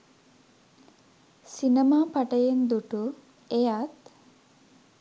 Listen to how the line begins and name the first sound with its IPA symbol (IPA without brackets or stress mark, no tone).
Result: s